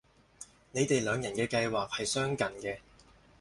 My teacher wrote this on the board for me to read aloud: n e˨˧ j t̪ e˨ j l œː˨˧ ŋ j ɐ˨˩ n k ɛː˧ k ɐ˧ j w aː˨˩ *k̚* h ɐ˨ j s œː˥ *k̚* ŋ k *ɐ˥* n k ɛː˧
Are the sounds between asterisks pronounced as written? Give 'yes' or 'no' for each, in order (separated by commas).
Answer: yes, no, no